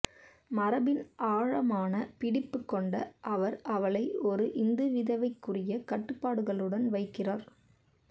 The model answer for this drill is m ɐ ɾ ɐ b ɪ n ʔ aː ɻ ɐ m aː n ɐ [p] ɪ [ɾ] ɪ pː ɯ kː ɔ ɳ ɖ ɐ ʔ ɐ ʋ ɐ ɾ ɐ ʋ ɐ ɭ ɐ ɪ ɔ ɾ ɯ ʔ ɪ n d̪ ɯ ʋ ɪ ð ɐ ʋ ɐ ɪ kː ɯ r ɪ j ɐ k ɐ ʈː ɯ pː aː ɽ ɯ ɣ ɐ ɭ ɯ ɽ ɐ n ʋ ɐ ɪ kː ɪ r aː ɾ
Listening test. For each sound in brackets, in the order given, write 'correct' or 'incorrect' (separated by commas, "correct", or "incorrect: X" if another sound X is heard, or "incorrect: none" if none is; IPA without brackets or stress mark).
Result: correct, incorrect: ɽ